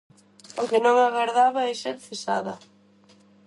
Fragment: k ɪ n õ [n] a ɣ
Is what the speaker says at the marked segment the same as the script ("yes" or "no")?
no